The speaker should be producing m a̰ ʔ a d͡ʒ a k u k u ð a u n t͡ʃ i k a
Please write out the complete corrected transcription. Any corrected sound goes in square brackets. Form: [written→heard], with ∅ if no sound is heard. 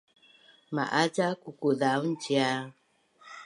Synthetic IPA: m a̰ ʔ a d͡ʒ a k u k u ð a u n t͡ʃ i [k→∅] a